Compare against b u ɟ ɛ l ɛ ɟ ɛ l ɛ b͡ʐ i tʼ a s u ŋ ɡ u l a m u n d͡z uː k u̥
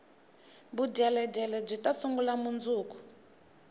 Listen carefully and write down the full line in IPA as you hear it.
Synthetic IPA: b u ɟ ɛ l ɛ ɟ ɛ l ɛ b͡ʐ i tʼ a s u ŋ ɡ u l a m u n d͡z uː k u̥